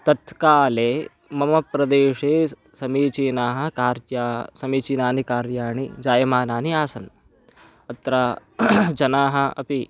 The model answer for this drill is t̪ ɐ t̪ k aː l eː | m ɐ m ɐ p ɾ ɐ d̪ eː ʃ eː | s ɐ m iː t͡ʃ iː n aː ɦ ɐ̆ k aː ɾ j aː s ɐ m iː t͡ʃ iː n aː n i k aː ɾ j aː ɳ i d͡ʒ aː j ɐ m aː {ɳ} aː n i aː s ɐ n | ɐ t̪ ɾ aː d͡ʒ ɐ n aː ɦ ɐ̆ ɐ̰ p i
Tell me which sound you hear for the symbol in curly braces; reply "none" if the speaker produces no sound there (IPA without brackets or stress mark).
n